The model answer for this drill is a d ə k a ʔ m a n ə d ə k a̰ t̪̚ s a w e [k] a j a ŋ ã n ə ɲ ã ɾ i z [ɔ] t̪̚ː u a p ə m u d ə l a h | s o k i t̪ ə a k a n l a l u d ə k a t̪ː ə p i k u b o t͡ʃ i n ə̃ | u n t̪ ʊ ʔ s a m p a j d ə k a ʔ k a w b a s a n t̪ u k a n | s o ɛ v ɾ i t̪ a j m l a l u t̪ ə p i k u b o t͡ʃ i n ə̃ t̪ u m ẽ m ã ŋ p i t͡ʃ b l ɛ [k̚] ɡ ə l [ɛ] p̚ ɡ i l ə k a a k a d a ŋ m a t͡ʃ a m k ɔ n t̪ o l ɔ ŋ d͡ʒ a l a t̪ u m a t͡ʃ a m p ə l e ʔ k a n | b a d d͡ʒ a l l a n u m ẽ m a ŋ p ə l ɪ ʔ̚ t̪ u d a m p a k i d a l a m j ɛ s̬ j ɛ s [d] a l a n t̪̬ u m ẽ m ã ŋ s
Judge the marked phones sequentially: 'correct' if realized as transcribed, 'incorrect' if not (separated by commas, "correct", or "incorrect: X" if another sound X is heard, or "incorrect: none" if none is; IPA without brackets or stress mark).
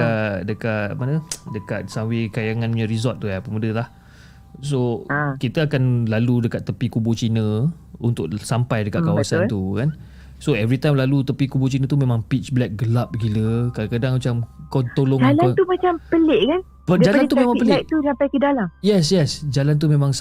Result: correct, correct, correct, incorrect: a, incorrect: d͡ʒ